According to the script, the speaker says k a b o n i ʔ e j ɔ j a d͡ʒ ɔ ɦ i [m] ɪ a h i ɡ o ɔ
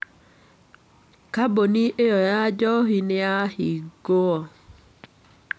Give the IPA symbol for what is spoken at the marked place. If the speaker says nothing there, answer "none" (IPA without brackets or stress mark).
n